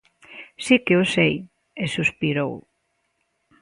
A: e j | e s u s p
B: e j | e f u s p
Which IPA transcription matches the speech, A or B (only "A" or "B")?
A